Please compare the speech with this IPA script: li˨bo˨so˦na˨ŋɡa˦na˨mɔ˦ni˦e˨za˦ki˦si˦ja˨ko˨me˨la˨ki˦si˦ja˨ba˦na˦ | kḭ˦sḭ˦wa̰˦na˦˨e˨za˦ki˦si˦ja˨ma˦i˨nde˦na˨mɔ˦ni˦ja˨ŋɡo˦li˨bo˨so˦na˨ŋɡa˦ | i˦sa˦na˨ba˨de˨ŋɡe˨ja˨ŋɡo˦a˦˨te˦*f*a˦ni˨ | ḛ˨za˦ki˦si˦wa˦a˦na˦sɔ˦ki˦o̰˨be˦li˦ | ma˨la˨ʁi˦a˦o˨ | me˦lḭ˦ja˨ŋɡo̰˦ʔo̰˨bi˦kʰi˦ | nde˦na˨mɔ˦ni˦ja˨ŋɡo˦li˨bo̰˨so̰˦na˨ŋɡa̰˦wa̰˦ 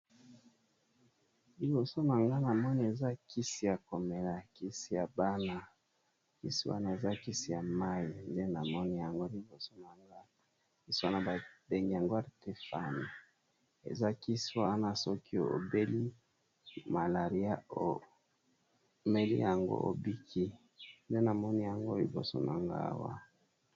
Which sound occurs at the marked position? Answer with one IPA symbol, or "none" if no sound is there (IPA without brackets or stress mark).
f